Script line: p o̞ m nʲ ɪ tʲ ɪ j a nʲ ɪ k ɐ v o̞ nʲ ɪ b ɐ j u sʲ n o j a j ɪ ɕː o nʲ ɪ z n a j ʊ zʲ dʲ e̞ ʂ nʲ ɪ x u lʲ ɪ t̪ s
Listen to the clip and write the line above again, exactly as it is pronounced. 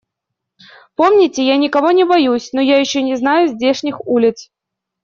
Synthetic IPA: p o̞ m nʲ ɪ tʲ ɪ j a nʲ ɪ k ɐ v o̞ nʲ ɪ b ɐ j u sʲ n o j a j ɪ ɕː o nʲ ɪ z n a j ʊ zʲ dʲ e̞ ʂ nʲ ɪ x u lʲ ɪ t̪ s